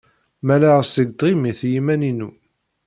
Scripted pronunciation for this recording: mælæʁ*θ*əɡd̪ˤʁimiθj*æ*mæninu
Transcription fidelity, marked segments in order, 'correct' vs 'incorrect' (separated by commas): incorrect, incorrect